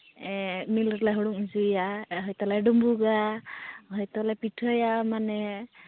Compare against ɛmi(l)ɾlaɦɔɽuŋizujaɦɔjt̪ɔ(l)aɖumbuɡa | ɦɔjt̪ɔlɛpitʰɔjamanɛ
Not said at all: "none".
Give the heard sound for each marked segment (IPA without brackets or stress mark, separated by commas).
l, l